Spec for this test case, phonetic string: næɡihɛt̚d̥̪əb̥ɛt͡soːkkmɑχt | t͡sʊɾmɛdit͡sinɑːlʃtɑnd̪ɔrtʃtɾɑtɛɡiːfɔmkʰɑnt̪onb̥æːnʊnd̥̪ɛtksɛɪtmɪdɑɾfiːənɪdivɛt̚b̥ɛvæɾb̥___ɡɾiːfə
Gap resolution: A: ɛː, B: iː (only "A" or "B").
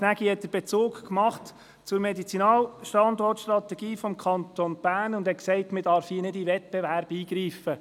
B